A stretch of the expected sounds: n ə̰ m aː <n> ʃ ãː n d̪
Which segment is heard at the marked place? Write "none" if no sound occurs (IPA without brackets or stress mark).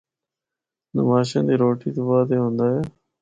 none